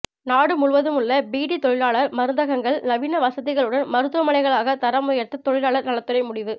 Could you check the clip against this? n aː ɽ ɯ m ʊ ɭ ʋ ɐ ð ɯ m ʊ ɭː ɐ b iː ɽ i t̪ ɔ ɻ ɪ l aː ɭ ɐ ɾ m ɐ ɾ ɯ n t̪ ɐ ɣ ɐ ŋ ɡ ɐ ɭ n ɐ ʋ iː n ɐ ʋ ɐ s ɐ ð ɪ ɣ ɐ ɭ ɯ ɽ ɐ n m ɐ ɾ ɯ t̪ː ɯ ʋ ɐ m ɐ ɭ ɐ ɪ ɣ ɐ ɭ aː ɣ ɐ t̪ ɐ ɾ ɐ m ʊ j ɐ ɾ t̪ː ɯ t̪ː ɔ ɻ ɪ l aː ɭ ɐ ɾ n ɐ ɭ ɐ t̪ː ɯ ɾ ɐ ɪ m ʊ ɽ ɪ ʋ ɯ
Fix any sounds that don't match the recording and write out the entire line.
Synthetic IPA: n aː ɽ ɯ m ʊ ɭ ʋ ɐ ð ɯ m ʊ ɭː ɐ b iː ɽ i t̪ ɔ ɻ ɪ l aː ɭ ɐ ɾ m ɐ ɾ ɯ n d̪ ɐ ɣ ɐ ŋ ɡ ɐ ɭ n ɐ ʋ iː n ɐ ʋ ɐ s ɐ ð ɪ ɣ ɐ ɭ ɯ ɽ ɐ n m ɐ ɾ ɯ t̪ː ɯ ʋ ɐ m ɐ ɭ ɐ ɪ ɣ ɐ ɭ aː ɣ ɐ t̪ ɐ ɾ ɐ m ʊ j ɐ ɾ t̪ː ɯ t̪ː ɔ ɻ ɪ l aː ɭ ɐ ɾ n ɐ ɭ ɐ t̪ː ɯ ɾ ɐ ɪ m ʊ ɽ ɪ ʋ ɯ